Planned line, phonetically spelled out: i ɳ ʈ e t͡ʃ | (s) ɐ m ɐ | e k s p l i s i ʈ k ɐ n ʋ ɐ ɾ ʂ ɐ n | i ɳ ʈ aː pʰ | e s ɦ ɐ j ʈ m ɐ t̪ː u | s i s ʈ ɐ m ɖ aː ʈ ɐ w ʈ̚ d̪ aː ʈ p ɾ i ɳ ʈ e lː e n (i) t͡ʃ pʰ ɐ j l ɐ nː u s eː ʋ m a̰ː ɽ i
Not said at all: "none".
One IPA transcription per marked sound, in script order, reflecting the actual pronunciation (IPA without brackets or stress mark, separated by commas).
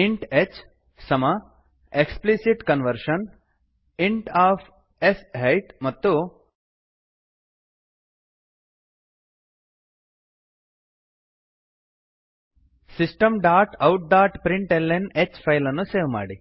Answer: s, e